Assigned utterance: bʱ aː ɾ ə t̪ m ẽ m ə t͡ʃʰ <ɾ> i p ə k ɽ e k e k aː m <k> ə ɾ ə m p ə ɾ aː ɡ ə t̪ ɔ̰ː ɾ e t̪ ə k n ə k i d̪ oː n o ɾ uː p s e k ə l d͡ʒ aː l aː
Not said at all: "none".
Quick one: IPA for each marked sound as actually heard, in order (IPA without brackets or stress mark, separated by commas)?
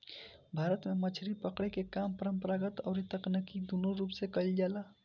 ɾ, p